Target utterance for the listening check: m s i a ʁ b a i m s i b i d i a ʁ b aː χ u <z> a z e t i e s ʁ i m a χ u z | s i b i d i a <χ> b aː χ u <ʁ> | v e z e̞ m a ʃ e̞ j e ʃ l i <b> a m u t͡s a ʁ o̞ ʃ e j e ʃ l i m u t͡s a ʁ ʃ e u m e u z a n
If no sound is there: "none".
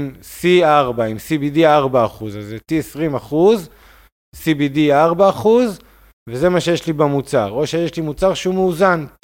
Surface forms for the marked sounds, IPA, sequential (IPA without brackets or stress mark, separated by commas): z, ʁ, z, b